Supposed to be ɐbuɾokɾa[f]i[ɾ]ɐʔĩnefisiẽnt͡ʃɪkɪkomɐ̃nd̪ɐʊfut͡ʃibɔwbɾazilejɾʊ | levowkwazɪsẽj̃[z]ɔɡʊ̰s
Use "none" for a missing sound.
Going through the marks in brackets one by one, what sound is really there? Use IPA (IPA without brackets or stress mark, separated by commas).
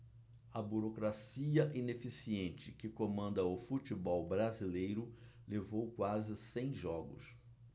s, none, ʒ